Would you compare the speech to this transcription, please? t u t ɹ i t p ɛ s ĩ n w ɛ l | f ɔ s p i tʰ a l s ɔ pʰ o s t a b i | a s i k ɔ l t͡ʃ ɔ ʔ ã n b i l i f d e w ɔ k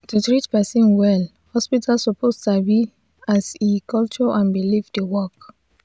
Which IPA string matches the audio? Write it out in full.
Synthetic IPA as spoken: t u t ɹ i t p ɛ s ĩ n w ɛ l | h ɔ s p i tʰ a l s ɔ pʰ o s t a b i | a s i k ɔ l t͡ʃ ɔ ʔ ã n b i l i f d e w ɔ k